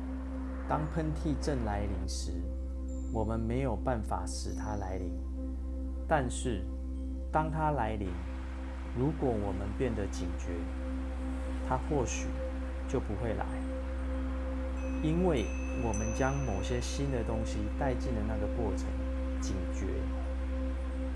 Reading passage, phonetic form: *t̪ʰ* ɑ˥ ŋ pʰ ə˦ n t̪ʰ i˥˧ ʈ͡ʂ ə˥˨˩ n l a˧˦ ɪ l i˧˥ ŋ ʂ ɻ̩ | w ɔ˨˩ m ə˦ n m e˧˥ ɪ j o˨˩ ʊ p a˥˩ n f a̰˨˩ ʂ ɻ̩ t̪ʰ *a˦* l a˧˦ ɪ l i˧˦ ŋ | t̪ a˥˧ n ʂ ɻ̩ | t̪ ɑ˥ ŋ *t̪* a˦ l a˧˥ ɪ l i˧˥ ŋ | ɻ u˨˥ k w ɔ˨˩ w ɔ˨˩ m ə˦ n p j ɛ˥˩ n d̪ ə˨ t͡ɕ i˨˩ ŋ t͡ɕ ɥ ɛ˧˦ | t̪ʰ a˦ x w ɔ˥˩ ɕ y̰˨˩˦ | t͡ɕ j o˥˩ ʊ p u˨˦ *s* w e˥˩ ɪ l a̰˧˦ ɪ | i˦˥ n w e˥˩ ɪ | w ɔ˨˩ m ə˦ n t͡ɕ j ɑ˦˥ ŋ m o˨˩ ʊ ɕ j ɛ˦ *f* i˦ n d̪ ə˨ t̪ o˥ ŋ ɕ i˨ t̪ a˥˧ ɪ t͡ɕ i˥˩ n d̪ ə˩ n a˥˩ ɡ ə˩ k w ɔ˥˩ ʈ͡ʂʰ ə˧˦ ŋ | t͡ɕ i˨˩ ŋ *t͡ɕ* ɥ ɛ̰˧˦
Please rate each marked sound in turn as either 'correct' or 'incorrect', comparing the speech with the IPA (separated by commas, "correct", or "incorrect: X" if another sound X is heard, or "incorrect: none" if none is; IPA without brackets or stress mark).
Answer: incorrect: t̪, correct, incorrect: t̪ʰ, incorrect: x, incorrect: ɕ, correct